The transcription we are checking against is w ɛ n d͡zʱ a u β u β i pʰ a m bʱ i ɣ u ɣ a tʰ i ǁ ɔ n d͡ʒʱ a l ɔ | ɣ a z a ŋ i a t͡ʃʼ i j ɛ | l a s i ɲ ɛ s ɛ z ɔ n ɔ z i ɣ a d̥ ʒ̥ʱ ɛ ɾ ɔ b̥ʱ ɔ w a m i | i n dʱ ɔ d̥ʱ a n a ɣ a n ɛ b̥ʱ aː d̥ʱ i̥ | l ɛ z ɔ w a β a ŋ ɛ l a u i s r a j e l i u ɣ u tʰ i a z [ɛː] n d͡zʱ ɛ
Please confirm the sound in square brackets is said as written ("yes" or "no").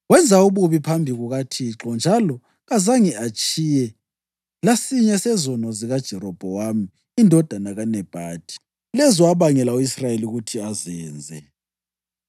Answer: yes